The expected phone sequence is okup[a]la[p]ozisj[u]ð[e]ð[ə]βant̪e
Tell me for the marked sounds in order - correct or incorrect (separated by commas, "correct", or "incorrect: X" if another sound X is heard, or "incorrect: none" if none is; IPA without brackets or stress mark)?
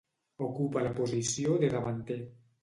correct, correct, incorrect: o, correct, incorrect: a